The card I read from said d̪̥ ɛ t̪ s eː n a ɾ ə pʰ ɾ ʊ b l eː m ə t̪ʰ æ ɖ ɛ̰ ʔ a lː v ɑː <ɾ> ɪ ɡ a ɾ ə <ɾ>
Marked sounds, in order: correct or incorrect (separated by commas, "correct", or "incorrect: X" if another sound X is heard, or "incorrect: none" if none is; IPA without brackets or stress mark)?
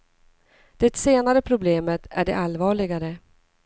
incorrect: ɭ, incorrect: none